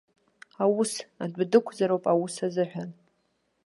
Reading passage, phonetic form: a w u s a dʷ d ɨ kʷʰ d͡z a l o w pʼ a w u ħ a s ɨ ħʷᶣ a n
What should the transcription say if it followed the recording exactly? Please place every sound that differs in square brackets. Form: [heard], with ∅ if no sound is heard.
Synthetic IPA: a w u s a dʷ d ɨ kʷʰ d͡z a [ɾ] o w pʼ a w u [s] a [z] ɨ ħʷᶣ a n